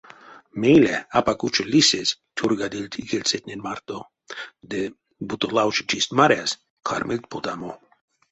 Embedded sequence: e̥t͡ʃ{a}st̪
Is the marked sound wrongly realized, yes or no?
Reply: yes